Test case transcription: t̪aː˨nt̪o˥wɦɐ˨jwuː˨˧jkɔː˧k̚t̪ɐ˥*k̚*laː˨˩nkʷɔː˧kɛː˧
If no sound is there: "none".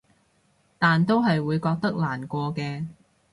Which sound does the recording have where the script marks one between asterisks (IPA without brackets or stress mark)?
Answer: k̚